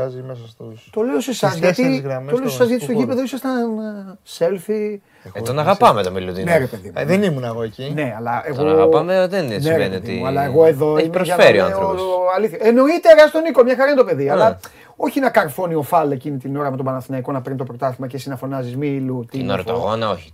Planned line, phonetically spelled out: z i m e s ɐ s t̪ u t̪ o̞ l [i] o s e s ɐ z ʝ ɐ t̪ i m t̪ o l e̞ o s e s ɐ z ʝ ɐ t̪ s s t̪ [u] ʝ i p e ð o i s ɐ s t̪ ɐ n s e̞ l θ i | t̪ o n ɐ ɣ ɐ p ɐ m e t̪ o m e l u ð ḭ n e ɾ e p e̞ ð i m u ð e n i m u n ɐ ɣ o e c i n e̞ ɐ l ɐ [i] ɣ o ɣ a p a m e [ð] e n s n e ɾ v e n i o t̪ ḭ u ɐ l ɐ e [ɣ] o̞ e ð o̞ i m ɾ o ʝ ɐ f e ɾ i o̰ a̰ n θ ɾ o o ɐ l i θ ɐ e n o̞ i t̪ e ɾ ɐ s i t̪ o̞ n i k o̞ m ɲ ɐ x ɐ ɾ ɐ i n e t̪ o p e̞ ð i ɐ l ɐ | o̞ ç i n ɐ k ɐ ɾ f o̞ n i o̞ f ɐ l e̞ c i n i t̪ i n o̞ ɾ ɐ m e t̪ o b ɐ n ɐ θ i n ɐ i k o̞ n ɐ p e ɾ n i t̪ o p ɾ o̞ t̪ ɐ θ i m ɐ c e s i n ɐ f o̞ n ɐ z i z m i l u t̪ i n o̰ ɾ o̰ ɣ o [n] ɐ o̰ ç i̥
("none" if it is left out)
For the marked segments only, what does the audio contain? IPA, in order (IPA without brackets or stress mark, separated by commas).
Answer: e, o, e, ð, ɣ, n